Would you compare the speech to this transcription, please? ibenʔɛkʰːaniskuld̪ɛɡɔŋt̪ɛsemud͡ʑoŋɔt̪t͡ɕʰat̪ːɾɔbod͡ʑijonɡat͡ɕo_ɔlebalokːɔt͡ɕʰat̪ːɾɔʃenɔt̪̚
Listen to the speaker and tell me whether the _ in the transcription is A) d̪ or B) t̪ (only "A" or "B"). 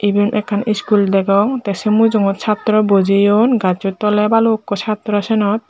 B